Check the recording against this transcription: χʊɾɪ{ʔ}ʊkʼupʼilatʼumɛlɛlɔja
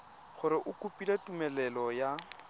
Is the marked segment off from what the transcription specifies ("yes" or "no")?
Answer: no